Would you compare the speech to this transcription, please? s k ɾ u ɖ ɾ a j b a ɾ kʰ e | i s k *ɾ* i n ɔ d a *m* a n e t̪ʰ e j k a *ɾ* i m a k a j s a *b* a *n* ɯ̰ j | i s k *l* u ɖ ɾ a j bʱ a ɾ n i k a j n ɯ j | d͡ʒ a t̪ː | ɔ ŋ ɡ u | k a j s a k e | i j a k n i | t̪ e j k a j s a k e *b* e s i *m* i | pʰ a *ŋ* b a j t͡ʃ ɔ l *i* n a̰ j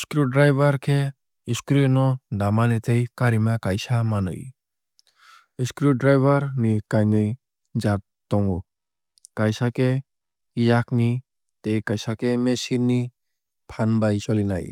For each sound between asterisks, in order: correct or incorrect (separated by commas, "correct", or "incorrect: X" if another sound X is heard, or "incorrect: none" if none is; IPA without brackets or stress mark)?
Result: correct, correct, correct, incorrect: m, correct, incorrect: ɾ, incorrect: m, incorrect: n, incorrect: n, correct